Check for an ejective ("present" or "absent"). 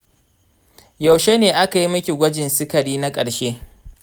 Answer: present